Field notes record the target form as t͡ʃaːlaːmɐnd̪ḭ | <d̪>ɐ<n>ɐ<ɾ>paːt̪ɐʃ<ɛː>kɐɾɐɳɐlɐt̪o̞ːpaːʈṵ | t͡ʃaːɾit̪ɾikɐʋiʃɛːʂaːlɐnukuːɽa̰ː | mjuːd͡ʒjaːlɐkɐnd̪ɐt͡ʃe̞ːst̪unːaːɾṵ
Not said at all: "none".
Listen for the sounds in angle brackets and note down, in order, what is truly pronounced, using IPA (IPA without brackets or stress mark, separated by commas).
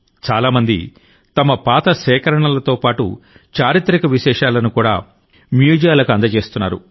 t̪, m, none, ɛː